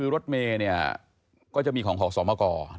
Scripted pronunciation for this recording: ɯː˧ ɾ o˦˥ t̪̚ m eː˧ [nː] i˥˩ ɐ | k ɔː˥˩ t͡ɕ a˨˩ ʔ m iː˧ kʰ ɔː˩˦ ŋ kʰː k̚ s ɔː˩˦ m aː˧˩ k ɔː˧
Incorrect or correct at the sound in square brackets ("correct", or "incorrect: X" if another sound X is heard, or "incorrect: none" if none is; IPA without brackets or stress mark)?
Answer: incorrect: n